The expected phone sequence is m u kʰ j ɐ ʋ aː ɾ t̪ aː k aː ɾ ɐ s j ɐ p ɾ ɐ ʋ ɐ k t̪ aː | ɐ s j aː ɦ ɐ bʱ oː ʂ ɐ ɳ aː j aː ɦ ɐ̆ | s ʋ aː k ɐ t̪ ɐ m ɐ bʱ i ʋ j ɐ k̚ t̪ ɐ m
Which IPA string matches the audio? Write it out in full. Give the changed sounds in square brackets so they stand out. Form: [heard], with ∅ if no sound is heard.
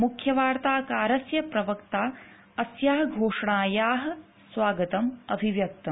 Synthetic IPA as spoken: m u kʰ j ɐ ʋ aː ɾ t̪ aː k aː ɾ ɐ s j ɐ p ɾ ɐ ʋ ɐ k t̪ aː | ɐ s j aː ɦ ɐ [ɡʱ] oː ʂ ɐ ɳ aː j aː ɦ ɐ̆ | s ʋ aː [ɡ] ɐ t̪ ɐ m ɐ bʱ i ʋ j ɐ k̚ t̪ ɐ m